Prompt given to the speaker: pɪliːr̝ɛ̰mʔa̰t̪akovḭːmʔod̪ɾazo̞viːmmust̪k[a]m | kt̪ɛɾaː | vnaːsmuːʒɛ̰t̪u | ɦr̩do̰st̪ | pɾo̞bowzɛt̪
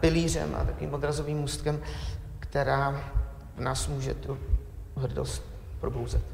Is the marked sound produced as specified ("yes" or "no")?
no